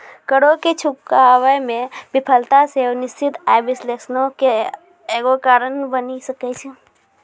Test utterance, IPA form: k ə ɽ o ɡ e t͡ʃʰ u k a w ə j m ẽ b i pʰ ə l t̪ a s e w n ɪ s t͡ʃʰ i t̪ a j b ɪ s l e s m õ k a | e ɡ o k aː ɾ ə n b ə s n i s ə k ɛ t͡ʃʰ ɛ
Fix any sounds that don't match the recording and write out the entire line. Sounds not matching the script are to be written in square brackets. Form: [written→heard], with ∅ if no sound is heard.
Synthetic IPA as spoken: k ə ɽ o [ɡ→k] e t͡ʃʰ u k a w ə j m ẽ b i pʰ ə l t̪ a s e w n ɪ s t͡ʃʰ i t̪ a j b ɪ s l e s [m→n] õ k [a→e] | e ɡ o k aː ɾ ə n b ə [s→∅] n i s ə k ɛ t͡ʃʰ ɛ